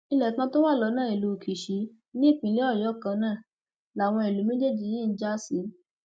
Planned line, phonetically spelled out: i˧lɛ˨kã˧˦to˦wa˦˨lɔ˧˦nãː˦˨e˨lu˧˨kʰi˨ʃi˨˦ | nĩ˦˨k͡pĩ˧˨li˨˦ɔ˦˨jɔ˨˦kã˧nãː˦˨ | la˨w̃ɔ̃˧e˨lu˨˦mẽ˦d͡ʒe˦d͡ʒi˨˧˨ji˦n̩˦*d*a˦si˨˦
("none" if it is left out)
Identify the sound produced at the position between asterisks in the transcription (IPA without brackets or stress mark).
d͡ʒ